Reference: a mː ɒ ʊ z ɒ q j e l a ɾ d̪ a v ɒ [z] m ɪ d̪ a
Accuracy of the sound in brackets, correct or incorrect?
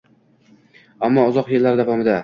incorrect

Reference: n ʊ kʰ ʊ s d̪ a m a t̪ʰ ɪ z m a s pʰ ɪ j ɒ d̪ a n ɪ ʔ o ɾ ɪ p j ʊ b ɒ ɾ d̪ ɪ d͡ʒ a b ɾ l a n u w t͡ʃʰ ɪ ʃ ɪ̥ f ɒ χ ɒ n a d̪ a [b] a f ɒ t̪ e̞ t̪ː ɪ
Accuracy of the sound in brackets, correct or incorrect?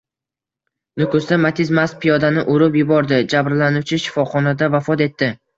incorrect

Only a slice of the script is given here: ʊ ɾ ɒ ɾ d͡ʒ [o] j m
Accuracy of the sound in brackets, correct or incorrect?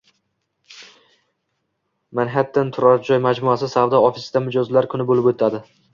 incorrect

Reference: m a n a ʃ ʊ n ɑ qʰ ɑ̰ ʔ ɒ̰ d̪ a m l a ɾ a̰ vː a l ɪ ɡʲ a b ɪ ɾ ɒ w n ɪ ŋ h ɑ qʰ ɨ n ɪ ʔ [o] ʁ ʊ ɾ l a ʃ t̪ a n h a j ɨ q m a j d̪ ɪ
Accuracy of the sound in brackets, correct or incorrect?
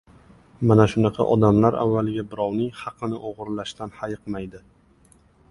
correct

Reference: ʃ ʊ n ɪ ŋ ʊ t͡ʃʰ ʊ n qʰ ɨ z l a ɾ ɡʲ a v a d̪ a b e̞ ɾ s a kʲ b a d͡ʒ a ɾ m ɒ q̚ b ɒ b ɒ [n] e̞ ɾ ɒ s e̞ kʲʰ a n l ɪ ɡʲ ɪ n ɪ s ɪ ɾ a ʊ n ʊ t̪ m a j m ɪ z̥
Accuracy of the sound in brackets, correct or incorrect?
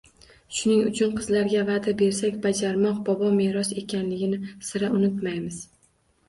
incorrect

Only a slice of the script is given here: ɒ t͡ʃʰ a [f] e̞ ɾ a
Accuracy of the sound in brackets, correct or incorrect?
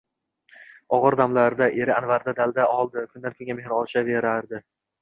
incorrect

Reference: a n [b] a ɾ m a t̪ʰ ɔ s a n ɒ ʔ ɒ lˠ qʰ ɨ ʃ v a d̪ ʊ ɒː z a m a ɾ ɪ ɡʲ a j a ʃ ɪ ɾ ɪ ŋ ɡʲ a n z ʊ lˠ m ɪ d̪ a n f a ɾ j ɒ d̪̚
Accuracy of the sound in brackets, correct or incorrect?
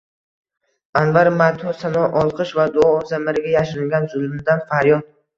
incorrect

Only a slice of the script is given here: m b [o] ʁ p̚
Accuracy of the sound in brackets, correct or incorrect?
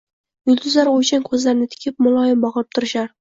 incorrect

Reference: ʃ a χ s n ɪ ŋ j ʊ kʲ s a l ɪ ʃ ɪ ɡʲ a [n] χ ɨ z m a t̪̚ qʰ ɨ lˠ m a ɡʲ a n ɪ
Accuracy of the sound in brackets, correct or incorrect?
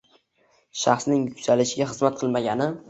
incorrect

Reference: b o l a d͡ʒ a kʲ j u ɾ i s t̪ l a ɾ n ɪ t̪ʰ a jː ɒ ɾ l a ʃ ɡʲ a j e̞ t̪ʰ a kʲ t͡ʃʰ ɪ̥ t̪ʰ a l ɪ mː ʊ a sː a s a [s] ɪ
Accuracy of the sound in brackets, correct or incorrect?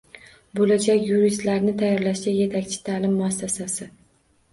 correct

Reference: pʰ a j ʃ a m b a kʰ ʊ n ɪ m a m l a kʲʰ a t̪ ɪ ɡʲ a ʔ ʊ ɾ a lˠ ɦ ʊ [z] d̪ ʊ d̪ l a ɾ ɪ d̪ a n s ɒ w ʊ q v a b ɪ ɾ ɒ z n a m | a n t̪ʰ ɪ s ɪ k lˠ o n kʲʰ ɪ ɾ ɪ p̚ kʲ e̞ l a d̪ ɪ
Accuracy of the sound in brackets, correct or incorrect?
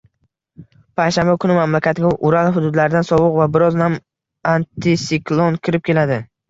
incorrect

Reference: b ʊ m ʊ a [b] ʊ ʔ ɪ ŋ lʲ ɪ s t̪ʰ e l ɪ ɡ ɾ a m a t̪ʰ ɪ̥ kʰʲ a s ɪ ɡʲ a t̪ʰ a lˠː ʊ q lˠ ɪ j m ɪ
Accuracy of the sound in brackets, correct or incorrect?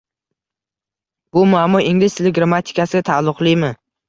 incorrect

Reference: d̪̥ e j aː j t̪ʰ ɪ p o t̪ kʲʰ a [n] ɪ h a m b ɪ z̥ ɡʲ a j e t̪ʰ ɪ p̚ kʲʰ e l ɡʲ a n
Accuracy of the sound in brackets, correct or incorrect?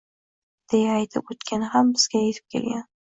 correct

